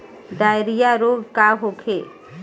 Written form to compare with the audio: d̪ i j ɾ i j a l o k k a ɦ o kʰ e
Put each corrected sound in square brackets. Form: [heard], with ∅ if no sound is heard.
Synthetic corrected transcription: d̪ [a] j ɾ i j a [ɾ] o [ɡ] k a ɦ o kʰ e